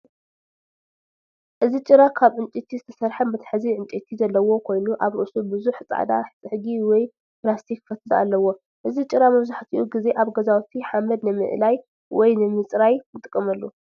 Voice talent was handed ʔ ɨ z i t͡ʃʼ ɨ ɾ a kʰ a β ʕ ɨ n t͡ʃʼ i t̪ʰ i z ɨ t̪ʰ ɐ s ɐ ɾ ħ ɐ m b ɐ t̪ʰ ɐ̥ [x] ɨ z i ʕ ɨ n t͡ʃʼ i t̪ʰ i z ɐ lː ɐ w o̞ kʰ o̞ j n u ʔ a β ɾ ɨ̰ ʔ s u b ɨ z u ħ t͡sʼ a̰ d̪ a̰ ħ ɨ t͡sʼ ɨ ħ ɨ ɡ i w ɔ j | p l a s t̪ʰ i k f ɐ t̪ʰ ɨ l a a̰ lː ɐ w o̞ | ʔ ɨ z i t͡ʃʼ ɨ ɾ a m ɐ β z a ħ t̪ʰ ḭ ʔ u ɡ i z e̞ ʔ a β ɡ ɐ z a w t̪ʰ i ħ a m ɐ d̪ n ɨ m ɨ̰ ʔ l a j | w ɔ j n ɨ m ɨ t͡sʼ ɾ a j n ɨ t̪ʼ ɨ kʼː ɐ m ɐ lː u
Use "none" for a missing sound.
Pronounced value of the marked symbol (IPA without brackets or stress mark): ħ